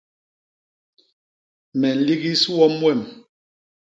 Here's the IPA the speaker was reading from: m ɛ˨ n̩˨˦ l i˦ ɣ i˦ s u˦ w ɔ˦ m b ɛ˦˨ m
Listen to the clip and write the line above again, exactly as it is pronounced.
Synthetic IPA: m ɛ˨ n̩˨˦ l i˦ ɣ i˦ s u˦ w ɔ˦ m w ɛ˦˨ m